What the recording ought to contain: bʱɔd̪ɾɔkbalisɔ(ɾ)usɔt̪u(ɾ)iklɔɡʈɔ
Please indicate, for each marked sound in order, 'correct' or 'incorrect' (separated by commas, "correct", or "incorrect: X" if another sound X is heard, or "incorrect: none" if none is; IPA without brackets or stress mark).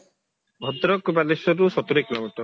correct, correct